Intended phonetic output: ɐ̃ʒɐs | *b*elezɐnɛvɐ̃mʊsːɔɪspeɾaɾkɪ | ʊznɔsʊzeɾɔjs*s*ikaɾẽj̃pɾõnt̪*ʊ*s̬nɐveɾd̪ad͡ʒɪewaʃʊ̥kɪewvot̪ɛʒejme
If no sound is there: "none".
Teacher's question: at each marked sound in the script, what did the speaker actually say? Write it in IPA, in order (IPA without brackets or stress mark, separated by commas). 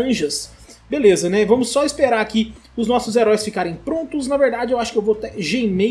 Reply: b, f, ʊ